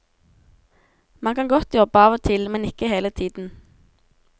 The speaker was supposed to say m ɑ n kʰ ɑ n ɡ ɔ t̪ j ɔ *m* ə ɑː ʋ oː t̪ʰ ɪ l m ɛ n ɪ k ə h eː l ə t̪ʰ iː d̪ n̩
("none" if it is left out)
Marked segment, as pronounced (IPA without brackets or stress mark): b